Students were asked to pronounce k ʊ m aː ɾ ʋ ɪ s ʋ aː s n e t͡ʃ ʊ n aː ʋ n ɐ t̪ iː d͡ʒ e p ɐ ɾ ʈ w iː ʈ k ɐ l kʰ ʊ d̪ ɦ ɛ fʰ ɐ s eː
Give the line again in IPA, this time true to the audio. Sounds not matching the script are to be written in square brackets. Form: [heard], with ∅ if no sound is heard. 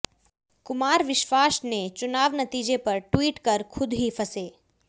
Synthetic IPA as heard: k ʊ m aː ɾ ʋ ɪ [ʃ] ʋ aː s n e t͡ʃ ʊ n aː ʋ n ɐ t̪ iː d͡ʒ e p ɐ ɾ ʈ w iː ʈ k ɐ [ɾ] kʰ ʊ d̪ ɦ [i] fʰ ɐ s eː